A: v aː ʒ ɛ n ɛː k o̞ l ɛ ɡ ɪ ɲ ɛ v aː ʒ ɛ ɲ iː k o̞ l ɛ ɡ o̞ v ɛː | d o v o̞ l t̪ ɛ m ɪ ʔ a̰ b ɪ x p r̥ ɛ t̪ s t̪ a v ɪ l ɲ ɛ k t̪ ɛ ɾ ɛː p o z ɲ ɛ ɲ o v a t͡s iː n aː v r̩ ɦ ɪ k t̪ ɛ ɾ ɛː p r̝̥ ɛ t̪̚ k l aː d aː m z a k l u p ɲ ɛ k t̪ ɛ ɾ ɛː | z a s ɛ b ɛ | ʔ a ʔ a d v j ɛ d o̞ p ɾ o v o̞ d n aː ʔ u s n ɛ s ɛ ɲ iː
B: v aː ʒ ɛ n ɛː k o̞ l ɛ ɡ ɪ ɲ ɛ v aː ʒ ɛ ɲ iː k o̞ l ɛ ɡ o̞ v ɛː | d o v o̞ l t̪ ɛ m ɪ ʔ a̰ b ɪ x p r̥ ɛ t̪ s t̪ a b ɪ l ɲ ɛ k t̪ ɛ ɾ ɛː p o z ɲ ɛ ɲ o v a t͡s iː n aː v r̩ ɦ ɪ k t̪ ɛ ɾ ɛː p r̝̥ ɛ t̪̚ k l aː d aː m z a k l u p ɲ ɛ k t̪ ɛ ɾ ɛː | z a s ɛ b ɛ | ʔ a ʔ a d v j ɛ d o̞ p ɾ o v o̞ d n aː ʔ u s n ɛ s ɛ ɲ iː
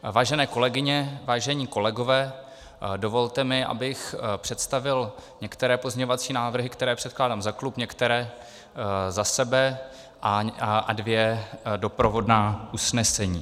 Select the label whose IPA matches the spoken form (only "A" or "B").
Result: A